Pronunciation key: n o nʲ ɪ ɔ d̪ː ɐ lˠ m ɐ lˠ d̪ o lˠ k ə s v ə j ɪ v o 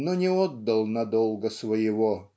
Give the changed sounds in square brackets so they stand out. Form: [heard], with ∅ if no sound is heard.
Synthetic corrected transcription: n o nʲ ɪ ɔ d̪ː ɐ lˠ [n] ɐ [∅] d̪ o lˠ [ɡ] ə s v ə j ɪ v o